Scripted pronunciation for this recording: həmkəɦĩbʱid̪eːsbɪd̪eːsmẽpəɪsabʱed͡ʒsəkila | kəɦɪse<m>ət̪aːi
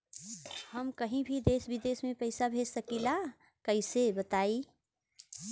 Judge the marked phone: incorrect: b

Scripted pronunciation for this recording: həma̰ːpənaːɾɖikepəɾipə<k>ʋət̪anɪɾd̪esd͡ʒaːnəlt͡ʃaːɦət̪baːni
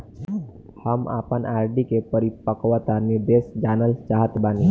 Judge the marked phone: correct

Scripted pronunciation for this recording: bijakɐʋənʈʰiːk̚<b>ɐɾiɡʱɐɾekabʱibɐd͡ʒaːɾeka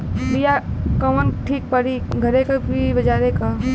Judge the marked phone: incorrect: p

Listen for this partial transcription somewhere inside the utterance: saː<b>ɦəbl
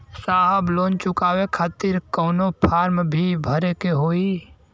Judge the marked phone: incorrect: none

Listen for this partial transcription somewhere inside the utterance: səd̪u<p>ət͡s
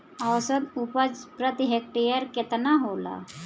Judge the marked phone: correct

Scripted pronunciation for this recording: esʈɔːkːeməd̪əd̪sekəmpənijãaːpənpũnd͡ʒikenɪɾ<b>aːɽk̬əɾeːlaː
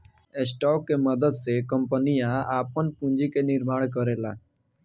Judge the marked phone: incorrect: m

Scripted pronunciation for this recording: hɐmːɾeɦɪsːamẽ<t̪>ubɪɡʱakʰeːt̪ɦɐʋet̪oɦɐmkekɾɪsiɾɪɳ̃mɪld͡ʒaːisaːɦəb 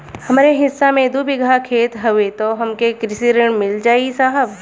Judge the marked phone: incorrect: d̪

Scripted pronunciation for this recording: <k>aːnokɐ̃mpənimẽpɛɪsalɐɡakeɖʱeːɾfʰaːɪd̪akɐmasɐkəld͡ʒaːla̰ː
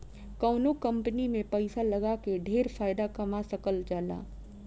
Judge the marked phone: correct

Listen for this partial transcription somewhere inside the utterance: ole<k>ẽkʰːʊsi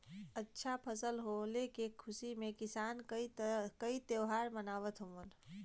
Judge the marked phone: correct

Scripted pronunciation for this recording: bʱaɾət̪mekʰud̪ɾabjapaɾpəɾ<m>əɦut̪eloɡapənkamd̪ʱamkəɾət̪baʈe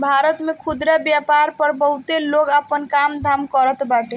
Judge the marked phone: incorrect: b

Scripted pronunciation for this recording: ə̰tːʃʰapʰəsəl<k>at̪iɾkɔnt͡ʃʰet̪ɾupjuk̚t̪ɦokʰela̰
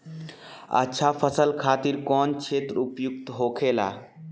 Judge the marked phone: incorrect: kʰ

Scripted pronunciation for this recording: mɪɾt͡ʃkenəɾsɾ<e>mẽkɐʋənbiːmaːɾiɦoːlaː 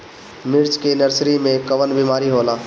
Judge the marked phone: incorrect: i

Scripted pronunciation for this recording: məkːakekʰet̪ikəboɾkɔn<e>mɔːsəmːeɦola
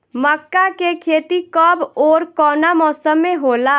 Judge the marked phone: incorrect: a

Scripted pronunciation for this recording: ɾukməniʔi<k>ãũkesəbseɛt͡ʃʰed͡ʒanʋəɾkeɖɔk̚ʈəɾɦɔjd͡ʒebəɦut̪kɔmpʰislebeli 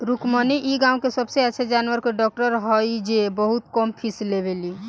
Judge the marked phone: incorrect: ɡ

